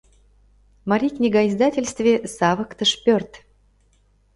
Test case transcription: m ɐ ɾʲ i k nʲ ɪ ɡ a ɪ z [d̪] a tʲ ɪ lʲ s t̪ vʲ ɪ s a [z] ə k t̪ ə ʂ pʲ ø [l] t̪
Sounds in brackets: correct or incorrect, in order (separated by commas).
correct, incorrect, incorrect